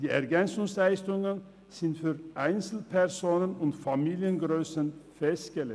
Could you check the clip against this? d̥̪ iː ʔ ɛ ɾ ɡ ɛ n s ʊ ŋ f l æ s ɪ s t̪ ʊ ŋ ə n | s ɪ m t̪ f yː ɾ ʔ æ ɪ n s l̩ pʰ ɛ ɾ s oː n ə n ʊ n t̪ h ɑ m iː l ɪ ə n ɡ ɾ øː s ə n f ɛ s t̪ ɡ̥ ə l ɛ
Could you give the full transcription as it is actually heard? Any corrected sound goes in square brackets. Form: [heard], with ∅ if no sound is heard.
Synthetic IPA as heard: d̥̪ iː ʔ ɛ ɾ ɡ ɛ n s ʊ ŋ [s] l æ [∅] ɪ s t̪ ʊ ŋ ə n | s ɪ [n] t̪ f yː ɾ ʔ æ ɪ n s l̩ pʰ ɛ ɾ s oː n ə n ʊ n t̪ [f] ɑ m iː l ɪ ə n ɡ ɾ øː s ə n f ɛ s t̪ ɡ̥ ə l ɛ